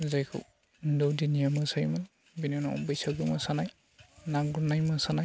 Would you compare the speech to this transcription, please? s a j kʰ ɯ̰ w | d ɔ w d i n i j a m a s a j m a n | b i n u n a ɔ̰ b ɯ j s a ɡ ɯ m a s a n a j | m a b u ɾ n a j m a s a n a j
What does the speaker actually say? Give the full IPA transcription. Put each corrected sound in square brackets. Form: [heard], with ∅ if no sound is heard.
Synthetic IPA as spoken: [z] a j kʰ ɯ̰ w | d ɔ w d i n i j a m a s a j m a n | b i n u n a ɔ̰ b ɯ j s a ɡ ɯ m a s a n a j | [n] a [ɡ] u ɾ n a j m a s a n a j